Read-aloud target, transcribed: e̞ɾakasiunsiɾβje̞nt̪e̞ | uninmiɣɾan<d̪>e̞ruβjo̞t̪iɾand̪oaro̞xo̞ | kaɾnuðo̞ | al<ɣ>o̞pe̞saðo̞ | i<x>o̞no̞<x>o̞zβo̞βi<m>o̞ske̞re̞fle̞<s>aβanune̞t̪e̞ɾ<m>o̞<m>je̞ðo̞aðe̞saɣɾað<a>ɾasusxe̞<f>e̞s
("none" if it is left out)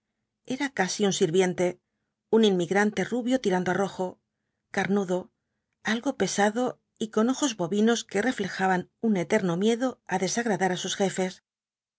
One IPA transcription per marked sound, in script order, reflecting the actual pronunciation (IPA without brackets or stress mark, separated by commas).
t̪, ɣ, k, x, n, x, n, m, a, f